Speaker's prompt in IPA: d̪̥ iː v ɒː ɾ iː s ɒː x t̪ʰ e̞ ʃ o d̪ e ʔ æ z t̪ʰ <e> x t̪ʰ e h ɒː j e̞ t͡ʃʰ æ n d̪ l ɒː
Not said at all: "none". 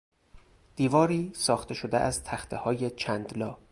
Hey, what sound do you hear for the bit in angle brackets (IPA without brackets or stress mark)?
æ